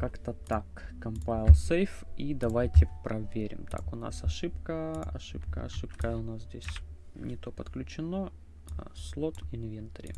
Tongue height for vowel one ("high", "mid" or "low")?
low